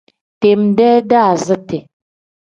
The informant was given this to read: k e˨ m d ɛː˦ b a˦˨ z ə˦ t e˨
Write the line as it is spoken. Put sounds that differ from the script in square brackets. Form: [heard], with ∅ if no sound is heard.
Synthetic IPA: [t] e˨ m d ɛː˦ [d] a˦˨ z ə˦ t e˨